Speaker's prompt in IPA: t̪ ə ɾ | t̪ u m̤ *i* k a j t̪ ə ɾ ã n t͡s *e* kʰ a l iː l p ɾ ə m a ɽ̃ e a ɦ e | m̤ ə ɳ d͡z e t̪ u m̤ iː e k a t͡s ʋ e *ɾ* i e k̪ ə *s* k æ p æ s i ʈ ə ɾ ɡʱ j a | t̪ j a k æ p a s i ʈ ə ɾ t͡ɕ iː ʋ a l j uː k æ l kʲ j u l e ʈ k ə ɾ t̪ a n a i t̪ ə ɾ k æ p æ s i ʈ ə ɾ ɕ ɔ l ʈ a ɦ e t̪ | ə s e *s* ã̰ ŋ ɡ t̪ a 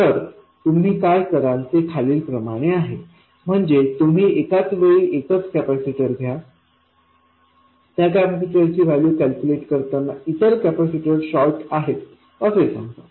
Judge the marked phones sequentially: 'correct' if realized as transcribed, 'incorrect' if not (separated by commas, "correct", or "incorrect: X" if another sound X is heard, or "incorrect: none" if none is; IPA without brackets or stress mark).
incorrect: iː, correct, incorrect: ɭ, incorrect: t͡s, correct